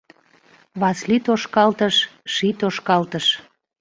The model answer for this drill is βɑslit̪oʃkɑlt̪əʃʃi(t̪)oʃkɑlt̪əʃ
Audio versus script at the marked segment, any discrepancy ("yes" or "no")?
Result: no